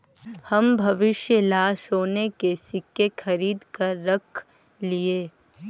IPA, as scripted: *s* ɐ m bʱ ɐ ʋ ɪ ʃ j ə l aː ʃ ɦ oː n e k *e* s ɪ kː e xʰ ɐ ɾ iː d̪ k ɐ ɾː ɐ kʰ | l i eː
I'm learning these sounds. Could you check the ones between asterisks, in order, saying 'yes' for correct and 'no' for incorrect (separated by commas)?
no, yes